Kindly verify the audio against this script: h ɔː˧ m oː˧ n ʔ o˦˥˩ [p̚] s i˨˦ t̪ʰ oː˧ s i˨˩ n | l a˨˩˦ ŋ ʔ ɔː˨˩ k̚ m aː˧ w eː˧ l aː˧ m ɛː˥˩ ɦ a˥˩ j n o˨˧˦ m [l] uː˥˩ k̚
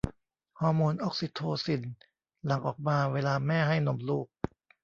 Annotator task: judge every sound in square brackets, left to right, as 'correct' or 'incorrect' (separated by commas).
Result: incorrect, correct